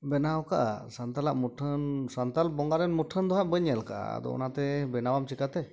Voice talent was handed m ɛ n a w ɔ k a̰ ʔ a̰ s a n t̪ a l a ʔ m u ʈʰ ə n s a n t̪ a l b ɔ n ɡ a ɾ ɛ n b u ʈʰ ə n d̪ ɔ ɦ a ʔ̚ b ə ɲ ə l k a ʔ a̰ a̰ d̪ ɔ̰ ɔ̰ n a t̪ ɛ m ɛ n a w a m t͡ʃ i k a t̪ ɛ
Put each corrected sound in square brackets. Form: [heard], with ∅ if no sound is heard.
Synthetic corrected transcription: [b] ɛ n a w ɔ k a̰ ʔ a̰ s a n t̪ a l a ʔ m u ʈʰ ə n s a n t̪ a l b ɔ [ŋ] ɡ a ɾ ɛ n [m] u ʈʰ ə n d̪ ɔ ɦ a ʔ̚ b ə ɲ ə l k a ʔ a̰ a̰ d̪ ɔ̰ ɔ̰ n a t̪ ɛ [b] ɛ n a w a m t͡ʃ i k a t̪ ɛ